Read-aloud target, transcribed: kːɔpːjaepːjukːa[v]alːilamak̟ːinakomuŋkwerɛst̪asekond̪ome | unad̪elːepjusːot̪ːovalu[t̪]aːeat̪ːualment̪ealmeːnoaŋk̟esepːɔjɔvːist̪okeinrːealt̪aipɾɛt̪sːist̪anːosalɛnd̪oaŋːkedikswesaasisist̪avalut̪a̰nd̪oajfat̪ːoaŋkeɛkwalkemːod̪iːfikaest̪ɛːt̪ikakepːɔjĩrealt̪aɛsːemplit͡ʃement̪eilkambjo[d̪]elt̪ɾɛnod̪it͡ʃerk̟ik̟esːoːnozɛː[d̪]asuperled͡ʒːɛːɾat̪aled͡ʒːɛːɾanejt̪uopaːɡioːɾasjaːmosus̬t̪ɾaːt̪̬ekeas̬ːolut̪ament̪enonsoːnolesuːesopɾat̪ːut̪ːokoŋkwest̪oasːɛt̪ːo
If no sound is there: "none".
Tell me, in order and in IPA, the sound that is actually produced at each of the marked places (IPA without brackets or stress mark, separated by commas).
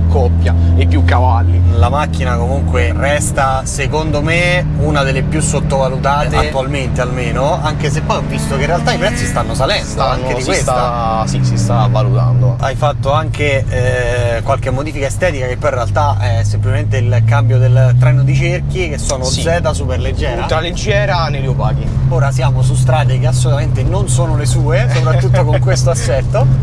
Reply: v, t̪, d̪, t̪